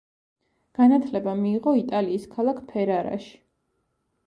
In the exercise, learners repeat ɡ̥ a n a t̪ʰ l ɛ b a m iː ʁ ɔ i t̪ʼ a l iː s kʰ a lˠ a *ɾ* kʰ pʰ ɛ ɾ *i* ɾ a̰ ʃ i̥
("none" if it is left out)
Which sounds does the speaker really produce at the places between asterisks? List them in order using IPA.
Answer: none, a

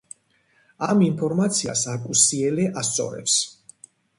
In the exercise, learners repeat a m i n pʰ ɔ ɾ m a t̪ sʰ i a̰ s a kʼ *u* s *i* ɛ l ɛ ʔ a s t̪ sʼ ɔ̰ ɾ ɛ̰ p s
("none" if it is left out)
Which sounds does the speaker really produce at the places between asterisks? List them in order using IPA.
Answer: u, i

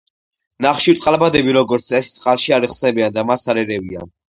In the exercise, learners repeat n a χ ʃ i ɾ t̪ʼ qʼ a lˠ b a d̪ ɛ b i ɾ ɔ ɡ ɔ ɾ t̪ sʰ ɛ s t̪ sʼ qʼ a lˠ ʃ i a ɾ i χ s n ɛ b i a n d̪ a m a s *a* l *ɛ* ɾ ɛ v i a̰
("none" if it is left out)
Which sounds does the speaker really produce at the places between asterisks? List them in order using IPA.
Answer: a, ɛ

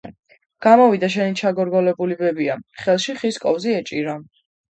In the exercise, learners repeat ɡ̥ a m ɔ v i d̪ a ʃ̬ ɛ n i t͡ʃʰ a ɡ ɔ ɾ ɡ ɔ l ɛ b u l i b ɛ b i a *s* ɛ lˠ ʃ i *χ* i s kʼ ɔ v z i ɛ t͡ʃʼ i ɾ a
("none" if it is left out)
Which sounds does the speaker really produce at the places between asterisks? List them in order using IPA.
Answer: χ, χ

